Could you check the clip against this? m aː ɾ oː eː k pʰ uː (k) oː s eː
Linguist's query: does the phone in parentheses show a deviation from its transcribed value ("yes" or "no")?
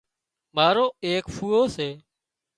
yes